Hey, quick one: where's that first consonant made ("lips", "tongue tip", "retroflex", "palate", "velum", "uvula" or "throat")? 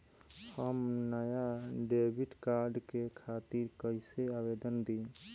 throat